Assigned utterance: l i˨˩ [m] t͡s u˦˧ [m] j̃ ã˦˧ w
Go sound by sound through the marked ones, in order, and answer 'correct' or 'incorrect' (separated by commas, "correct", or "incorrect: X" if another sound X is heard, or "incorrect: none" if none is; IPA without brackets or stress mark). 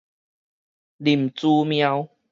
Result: correct, correct